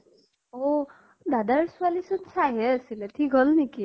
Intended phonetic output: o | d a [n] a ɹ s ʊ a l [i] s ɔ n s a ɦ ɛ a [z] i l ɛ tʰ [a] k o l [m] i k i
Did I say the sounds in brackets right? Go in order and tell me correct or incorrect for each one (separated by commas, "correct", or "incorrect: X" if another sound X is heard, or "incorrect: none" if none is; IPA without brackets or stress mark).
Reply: incorrect: d, correct, incorrect: s, incorrect: i, incorrect: n